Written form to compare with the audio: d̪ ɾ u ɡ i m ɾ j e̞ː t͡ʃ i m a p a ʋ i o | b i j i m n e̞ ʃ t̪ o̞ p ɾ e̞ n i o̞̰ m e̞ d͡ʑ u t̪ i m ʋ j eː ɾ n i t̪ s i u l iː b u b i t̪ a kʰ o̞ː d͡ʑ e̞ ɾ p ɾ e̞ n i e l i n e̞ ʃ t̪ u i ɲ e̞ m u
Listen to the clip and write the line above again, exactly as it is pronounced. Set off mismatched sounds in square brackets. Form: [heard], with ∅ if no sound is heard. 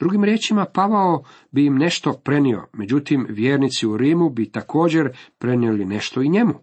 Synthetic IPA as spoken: d̪ ɾ u ɡ i m ɾ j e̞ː t͡ʃ i m a p a ʋ [a] o | b i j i m n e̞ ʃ t̪ o̞ p ɾ e̞ n i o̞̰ m e̞ d͡ʑ u t̪ i m ʋ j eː ɾ n i t̪ s i u [ɾ] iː [m] u b i t̪ a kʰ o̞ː d͡ʑ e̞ ɾ p ɾ e̞ n i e l i n e̞ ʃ t̪ [o] i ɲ e̞ m u